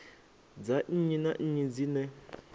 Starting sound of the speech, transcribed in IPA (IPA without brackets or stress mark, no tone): d͡z